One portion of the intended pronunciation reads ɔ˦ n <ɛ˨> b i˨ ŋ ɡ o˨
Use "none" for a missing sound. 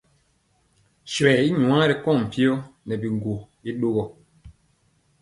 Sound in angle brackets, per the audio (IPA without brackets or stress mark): ɛ˨